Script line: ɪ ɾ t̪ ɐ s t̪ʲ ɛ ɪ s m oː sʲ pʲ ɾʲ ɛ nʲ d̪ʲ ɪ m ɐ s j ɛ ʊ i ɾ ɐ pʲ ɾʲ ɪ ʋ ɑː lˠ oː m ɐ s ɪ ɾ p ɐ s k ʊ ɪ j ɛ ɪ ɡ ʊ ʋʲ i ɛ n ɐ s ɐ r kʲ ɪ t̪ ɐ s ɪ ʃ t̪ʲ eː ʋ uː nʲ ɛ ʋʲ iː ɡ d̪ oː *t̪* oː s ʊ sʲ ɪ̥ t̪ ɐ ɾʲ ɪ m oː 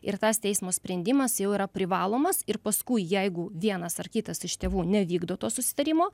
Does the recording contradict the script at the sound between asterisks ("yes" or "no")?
no